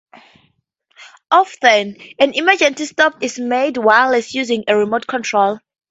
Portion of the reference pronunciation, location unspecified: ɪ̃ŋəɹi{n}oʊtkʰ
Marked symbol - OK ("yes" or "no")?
no